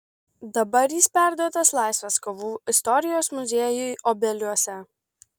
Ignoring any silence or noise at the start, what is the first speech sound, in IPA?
d̪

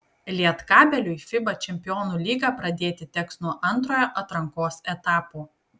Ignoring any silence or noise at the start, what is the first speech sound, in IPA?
lʲ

